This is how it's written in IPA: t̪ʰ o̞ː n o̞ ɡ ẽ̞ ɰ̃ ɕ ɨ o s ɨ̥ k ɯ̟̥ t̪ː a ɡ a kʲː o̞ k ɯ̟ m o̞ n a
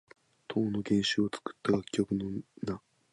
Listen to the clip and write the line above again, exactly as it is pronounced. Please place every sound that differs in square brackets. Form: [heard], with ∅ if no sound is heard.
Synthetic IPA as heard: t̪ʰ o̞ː n o̞ ɡ ẽ̞ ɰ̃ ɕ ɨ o [t͡s] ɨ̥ k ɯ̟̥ t̪ː a ɡ a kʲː o̞ k ɯ̟ [n] o̞ n a